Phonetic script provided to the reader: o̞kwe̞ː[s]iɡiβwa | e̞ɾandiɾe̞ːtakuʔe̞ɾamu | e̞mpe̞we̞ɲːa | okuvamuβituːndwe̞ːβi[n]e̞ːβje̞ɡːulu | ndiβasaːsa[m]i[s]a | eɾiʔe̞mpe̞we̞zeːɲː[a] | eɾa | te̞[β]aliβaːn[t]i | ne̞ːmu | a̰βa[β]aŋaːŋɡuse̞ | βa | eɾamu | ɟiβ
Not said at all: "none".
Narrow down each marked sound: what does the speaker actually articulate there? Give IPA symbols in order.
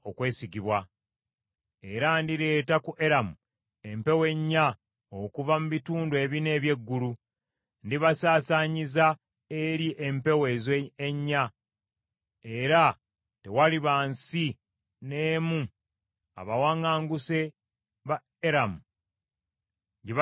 s, n, ɲ, z, a, w, s, w

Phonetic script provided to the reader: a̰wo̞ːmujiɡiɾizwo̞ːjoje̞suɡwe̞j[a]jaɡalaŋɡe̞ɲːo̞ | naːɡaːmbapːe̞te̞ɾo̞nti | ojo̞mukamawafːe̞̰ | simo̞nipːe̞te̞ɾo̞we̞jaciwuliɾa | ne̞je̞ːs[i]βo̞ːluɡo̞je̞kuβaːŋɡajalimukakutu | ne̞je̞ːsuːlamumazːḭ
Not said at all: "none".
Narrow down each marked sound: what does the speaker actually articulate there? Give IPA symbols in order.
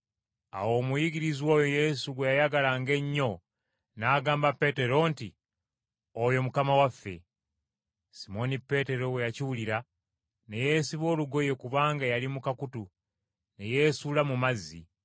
a, i

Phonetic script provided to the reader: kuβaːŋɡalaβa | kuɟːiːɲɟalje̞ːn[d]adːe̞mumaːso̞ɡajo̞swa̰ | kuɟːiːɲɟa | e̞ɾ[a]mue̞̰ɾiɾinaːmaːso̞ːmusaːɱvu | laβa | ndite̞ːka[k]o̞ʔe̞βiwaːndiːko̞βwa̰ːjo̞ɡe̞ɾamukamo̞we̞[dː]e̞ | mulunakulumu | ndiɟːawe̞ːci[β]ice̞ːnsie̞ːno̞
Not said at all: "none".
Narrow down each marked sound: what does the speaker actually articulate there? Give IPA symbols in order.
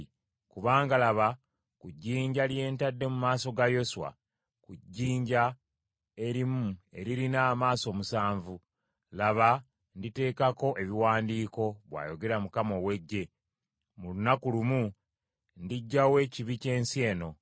t, i, k, ɟː, β

